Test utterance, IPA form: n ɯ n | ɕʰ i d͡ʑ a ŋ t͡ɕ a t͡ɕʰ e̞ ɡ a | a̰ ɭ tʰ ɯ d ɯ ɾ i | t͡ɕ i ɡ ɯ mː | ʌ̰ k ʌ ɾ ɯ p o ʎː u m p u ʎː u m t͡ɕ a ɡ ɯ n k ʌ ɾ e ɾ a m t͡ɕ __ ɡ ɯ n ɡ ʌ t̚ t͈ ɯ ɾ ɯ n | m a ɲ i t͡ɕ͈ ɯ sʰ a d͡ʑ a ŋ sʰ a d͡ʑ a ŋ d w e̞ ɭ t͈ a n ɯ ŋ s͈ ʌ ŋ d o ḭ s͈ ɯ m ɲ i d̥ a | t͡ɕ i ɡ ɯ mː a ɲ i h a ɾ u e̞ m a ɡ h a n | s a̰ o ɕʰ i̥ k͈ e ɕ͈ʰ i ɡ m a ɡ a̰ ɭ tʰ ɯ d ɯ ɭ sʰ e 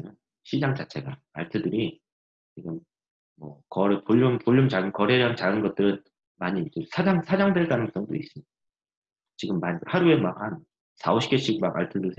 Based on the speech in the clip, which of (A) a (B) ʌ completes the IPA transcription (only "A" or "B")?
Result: A